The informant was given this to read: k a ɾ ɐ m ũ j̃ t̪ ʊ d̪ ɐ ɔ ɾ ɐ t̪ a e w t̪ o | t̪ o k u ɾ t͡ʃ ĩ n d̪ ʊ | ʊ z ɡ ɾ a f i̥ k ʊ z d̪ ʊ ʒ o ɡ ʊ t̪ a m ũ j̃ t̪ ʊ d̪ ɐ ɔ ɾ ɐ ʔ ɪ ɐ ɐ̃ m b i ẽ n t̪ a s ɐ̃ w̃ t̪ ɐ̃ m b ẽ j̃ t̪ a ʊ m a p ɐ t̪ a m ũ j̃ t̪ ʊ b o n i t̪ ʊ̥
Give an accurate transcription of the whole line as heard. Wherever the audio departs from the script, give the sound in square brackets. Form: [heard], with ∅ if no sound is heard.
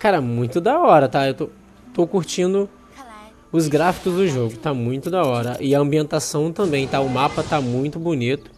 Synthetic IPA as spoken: k a ɾ ɐ m ũ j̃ t̪ ʊ d̪ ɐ ɔ ɾ ɐ t̪ a e w t̪ o | t̪ o k u ɾ t͡ʃ ĩ n d̪ ʊ | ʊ z ɡ ɾ a f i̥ k ʊ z d̪ ʊ ʒ o ɡ ʊ t̪ a m ũ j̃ t̪ ʊ d̪ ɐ ɔ ɾ ɐ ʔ ɪ ɐ ɐ̃ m b i ẽ n t̪ a s ɐ̃ w̃ t̪ ɐ̃ m b ẽ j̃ t̪ a ʊ m a p ɐ t̪ a m ũ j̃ t̪ ʊ b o n i t̪ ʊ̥

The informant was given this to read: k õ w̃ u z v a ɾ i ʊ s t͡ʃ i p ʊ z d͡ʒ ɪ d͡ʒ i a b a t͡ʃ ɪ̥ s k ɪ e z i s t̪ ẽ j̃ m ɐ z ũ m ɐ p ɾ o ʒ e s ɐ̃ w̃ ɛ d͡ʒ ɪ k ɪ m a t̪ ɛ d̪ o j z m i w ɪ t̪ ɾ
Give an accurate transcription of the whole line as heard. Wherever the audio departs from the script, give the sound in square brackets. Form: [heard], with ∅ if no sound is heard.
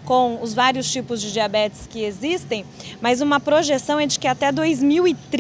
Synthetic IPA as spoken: k õ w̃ [ʊ] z v a ɾ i ʊ s t͡ʃ i p ʊ z d͡ʒ ɪ d͡ʒ i a b [ɛ] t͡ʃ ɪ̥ s k ɪ e z i s t̪ ẽ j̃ m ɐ z ũ m ɐ p ɾ o ʒ e s ɐ̃ w̃ ɛ d͡ʒ ɪ k ɪ [∅] a t̪ ɛ d̪ o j z m i w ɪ t̪ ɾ

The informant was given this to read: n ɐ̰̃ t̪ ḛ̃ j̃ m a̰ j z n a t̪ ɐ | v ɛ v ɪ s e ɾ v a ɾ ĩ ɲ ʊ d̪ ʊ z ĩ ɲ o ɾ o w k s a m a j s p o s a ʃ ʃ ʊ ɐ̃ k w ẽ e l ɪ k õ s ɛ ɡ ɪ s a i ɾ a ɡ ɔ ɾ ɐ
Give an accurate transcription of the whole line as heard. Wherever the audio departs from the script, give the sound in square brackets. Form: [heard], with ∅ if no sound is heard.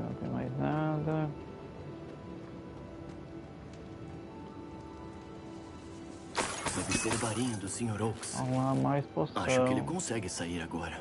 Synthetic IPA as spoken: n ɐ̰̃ t̪ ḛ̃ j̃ m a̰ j z n a [d̪] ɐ | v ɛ v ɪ s e ɾ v a ɾ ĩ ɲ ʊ d̪ ʊ [s] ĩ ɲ o ɾ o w k s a m a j s p o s a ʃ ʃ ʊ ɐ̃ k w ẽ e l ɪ k õ s ɛ ɡ ɪ s a i ɾ a ɡ ɔ ɾ ɐ

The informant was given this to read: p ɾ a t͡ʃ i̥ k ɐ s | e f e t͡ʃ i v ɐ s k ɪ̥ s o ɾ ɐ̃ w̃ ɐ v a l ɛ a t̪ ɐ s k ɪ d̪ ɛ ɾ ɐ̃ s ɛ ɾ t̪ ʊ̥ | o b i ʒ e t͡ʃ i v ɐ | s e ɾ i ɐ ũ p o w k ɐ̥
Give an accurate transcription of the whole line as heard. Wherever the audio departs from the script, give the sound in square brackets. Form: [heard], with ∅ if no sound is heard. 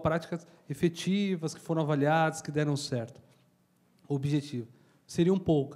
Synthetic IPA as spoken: p ɾ a t͡ʃ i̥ k ɐ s | e f e t͡ʃ i v ɐ s k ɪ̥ [f] o ɾ ɐ̃ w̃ [a] v a l [i] a [d̪] ɐ s k ɪ d̪ ɛ ɾ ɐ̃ s ɛ ɾ t̪ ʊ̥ | o b i ʒ e t͡ʃ i v ɐ | s e ɾ i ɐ ũ p o w k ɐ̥

